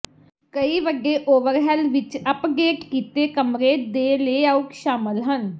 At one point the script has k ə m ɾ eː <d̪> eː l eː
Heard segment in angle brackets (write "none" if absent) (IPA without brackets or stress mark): d̪